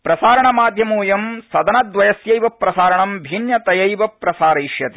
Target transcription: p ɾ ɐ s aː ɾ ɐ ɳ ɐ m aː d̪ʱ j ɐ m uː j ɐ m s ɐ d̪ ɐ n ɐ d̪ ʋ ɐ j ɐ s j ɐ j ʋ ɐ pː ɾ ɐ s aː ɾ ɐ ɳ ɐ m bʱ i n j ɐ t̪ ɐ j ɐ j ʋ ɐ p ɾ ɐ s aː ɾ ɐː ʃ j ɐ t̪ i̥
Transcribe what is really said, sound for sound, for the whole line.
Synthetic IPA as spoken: p ɾ ɐ s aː ɾ ɐ ɳ ɐ m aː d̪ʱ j ɐ m uː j ɐ m s ɐ d̪ ɐ n ɐ d̪ ʋ ɐ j ɐ s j ɐ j ʋ ɐ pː ɾ ɐ s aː ɾ ɐ ɳ ɐ m bʱ i n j ɐ t̪ ɐ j ɐ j ʋ ɐ p ɾ ɐ s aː ɾ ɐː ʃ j ɐ t̪ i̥